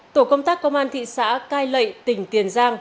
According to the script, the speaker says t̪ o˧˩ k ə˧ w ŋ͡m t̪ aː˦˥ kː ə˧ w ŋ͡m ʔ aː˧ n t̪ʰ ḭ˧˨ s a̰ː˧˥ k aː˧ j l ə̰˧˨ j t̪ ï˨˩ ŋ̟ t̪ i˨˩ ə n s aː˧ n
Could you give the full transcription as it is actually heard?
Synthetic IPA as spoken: t̪ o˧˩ k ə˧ w ŋ͡m t̪ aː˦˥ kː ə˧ w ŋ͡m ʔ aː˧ n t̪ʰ ḭ˧˨ s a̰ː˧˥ k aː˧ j l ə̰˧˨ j t̪ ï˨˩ ŋ̟ t̪ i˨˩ ə n z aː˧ ŋ